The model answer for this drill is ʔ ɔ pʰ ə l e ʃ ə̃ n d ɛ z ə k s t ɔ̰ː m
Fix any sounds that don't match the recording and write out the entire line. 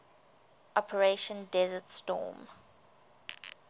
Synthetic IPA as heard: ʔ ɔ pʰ ə ɹ e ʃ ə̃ n d ɛ z ə t s t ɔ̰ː m